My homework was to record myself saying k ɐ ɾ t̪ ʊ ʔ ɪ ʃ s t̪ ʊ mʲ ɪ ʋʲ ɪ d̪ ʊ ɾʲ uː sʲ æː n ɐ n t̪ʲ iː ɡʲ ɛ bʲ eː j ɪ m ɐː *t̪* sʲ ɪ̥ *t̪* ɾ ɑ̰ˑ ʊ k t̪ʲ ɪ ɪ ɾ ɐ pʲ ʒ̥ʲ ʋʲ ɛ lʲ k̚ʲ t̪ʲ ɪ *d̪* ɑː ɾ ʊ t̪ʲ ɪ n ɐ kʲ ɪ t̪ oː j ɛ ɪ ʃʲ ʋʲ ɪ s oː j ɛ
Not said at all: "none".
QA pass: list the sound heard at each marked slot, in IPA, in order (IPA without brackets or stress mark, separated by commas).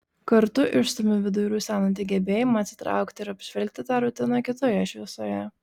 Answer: t̪, t̪, t̪